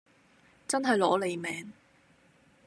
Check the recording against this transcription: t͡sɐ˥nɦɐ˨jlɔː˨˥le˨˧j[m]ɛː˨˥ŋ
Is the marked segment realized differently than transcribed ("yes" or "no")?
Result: no